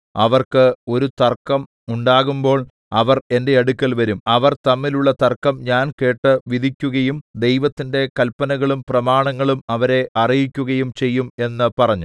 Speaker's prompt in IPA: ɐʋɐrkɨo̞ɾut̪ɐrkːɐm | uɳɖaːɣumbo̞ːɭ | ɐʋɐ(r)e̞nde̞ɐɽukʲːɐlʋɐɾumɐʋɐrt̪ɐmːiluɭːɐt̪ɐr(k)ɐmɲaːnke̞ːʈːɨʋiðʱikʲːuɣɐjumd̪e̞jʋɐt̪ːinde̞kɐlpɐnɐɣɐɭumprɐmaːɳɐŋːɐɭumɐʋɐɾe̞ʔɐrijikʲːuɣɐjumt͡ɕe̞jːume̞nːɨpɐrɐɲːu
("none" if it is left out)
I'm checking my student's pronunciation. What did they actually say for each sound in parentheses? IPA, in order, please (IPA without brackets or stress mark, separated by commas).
r, k